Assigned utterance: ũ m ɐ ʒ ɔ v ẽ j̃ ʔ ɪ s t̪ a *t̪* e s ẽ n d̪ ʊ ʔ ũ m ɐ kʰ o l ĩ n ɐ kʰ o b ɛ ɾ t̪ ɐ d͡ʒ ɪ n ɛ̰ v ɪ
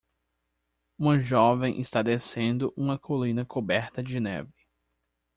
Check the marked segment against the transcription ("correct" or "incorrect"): incorrect